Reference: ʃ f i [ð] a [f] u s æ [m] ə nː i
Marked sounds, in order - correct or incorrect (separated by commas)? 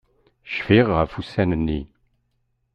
incorrect, correct, incorrect